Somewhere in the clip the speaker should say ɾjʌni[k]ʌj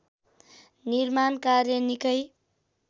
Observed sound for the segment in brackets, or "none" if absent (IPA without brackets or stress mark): k